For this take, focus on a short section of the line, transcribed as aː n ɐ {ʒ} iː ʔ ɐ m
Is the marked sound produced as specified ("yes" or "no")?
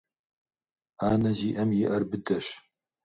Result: no